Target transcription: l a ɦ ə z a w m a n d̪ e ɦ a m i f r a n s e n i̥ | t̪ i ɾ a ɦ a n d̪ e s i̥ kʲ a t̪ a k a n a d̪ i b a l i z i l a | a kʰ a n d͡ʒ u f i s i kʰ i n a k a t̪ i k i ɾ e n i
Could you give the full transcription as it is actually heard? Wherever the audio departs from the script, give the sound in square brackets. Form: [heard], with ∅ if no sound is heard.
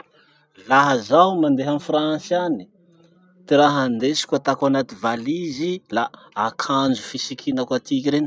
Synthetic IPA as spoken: l a ɦ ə z a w m a n d̪ e ɦ a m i f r a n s [a] n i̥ | t̪ i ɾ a ɦ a n d̪ e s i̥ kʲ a t̪ a k a n a [t̪] i [v] a l i z i l a | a kʰ a n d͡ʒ u f i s i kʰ i n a k a t̪ i k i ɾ e n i